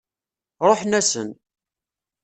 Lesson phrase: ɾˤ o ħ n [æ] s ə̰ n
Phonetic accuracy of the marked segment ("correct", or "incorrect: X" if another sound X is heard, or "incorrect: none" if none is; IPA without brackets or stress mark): correct